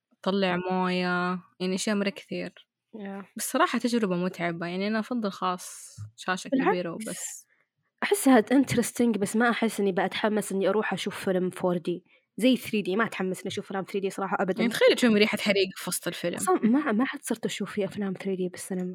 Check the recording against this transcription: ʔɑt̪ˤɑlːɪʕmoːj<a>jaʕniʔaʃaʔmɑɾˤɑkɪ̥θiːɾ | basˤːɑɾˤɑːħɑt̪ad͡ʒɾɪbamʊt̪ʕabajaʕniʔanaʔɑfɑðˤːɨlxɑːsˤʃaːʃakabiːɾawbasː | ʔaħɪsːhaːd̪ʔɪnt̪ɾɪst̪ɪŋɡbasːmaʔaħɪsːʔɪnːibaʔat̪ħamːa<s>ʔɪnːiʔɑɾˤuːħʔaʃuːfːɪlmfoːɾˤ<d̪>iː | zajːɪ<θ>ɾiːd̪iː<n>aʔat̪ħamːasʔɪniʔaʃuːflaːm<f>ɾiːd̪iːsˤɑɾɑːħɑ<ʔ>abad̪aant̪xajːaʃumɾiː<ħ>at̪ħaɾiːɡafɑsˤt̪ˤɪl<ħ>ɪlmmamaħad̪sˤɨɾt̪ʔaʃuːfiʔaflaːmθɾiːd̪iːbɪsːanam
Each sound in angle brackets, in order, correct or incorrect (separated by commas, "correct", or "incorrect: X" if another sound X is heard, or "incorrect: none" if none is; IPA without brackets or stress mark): correct, correct, correct, correct, incorrect: m, incorrect: θ, correct, correct, incorrect: f